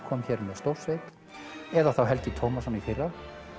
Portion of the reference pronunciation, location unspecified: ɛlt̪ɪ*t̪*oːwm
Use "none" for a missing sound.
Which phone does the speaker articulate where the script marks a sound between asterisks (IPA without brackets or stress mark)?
t̪ʰ